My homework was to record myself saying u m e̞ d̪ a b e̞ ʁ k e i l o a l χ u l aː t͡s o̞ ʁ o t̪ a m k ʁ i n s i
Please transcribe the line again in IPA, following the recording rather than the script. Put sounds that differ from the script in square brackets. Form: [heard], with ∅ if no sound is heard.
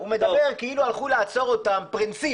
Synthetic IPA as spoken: u m e̞ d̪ a b e̞ ʁ k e i l [u] a l χ u l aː t͡s o̞ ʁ o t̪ a m [p] ʁ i n s i